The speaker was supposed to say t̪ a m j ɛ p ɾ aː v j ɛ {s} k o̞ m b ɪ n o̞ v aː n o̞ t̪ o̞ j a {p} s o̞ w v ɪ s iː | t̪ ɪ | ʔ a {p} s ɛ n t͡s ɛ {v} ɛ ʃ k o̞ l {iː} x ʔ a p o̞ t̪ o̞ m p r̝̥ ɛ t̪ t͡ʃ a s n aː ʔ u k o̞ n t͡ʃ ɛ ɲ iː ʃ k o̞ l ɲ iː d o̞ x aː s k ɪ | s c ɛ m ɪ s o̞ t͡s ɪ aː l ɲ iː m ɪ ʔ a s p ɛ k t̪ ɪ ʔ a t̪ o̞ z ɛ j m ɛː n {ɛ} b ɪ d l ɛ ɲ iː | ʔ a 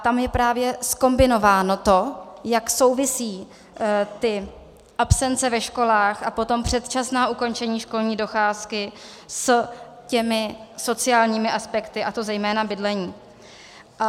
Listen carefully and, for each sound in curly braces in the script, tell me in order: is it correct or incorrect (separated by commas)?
correct, incorrect, correct, correct, incorrect, incorrect